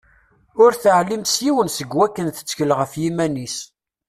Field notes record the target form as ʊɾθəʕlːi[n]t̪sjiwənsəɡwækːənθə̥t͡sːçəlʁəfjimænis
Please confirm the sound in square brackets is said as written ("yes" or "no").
no